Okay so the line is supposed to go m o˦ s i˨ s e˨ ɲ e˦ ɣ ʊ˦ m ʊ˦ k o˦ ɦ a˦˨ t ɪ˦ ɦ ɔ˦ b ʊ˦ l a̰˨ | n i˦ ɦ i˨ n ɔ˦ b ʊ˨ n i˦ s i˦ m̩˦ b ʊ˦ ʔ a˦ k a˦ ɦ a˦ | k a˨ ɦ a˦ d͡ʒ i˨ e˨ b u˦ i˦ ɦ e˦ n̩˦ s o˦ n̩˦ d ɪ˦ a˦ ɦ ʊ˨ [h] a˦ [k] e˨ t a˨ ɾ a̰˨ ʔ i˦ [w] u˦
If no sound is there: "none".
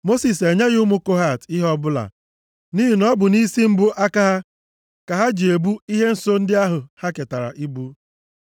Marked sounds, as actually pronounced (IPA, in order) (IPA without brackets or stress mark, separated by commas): h, k, b